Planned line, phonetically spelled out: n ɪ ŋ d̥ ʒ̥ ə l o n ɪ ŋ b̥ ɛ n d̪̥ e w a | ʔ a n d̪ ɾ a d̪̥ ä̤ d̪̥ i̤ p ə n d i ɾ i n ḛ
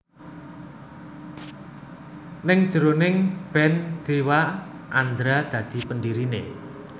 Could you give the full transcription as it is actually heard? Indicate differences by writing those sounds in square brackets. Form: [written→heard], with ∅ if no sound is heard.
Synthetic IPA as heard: n ɪ ŋ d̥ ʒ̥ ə [l→ɾ] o n ɪ ŋ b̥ ɛ n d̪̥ e w a | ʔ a n d̪ ɾ a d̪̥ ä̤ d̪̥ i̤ p ə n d i ɾ i n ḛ